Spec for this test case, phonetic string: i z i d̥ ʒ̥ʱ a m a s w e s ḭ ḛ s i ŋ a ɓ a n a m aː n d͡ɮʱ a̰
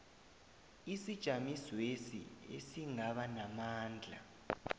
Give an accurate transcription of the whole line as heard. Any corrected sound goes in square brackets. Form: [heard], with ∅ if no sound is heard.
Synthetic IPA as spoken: i [s] i d̥ ʒ̥ʱ a m [i] s w e s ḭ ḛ s i ŋ a ɓ a n a m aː n d͡ɮʱ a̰

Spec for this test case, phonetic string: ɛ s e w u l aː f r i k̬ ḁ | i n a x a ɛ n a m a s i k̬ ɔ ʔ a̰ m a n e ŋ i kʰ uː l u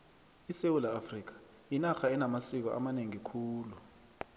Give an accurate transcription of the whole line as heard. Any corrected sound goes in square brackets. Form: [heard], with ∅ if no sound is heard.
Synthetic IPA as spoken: [i] s e w u l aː f r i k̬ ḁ | i n a x a ɛ n a m a s i k̬ ɔ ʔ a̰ m a n e ŋ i kʰ uː l u

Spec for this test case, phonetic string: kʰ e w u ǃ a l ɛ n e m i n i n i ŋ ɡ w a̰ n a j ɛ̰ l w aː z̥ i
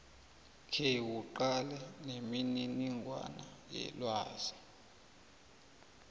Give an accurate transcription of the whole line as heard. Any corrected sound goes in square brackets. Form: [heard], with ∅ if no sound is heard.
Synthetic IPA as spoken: kʰ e w u ǃ a l ɛ n e m i n i n i ŋ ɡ w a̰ n a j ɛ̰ l w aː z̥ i

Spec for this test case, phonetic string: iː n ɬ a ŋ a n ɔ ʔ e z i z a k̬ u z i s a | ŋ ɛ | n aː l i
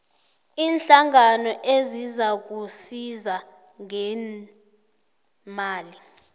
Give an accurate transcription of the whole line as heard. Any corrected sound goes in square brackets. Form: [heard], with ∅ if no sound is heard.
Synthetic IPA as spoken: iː n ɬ a ŋ a n ɔ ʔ e z i z a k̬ u [s] i [z] a | ŋ ɛ | [m] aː l i

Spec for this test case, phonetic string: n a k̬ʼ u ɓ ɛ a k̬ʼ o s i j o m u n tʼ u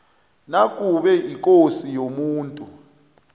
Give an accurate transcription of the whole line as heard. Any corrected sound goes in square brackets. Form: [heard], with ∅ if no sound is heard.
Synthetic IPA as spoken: n a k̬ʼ u ɓ ɛ [i] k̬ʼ o s i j o m [uː] n tʼ u

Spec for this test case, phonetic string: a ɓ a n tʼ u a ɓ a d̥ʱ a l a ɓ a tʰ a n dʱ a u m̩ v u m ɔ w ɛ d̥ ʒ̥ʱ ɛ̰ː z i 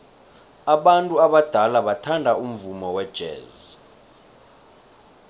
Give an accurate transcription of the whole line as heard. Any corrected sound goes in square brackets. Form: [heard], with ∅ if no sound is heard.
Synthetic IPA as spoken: a ɓ a n tʼ u a ɓ a d̥ʱ a l a ɓ a tʰ a n dʱ a u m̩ v u m ɔ w ɛ d̥ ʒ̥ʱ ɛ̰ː z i

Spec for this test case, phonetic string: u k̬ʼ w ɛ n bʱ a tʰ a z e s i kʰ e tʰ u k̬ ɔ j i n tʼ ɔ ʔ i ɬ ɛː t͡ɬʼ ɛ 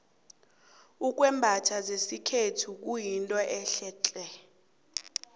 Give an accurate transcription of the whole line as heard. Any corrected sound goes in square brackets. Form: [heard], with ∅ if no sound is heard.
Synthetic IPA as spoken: u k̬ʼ w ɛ [m] bʱ a tʰ a z e s i kʰ e tʰ u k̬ [u] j i n tʼ ɔ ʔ [ɛ] ɬ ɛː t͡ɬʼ ɛ

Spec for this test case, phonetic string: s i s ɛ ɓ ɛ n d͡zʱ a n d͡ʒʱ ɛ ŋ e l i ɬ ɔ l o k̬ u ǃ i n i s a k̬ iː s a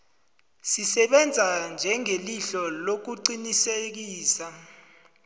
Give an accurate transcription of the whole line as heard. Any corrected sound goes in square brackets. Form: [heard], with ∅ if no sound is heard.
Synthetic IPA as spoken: s i s ɛ ɓ ɛ n d͡zʱ a n d͡ʒʱ ɛ ŋ e l i ɬ ɔ l o k̬ u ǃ i n i s [e] k̬ iː s a

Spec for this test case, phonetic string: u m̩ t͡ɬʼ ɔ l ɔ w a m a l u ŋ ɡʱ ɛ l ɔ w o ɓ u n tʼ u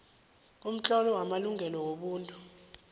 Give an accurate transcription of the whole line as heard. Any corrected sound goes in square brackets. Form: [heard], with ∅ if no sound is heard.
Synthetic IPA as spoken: u m̩ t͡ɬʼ ɔ l ɔ w a m a l u ŋ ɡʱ ɛ l ɔ w o ɓ [uː] n tʼ u

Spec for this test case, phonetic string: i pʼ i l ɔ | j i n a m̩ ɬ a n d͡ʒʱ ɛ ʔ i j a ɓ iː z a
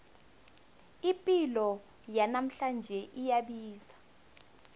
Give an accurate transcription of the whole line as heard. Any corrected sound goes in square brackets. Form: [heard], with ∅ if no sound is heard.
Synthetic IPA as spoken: i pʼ i l ɔ | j [a] n a m̩ ɬ a n d͡ʒʱ ɛ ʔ i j a ɓ iː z a

